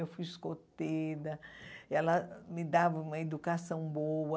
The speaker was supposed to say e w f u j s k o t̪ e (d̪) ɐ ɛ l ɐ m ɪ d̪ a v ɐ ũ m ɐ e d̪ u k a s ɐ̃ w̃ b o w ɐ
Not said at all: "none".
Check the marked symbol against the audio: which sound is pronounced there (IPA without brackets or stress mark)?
d̪